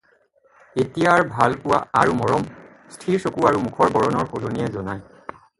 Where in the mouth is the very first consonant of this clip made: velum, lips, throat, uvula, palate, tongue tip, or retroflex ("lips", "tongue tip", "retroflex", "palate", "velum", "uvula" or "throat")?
tongue tip